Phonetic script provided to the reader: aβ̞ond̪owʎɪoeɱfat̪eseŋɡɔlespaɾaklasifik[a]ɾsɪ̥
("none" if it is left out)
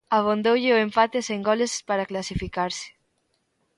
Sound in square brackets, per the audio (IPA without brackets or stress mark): a